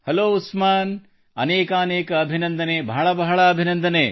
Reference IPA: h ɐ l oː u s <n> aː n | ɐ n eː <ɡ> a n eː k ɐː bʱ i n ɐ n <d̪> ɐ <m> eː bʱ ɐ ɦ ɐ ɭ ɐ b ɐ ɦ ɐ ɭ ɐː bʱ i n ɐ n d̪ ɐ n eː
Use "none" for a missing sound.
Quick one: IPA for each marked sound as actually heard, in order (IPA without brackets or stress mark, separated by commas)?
m, k, d̪, n